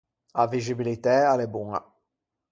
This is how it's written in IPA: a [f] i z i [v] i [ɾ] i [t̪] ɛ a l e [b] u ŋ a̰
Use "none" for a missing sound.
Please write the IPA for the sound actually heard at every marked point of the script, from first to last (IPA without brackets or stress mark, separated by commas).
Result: v, b, l, t̪, b